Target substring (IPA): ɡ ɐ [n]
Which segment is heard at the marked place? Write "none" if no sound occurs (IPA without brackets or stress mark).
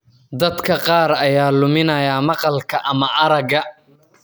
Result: none